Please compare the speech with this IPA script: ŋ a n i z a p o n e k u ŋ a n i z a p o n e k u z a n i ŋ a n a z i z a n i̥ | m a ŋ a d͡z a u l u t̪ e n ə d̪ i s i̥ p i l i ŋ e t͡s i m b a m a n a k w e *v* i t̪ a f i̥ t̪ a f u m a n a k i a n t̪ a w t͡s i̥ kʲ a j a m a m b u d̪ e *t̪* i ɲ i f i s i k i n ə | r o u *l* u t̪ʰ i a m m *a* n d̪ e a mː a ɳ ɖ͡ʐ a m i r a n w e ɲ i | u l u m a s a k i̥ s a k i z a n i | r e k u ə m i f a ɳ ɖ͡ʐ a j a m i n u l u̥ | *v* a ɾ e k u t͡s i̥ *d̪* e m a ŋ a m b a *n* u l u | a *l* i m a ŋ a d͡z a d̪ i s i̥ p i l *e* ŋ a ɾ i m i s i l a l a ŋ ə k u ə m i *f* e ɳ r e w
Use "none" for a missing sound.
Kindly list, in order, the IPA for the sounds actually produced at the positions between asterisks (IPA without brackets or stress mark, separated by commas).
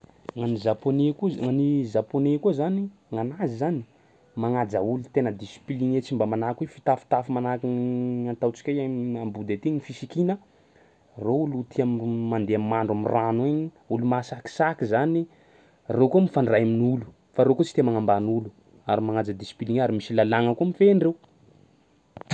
f, t̪, l, a, f, t̪, n, ɾ, i, f